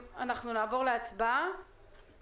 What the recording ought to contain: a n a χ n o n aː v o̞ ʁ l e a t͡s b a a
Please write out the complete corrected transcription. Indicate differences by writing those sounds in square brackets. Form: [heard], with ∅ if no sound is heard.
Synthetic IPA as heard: a n a χ n [u] n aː v o̞ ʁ l e a t͡s b a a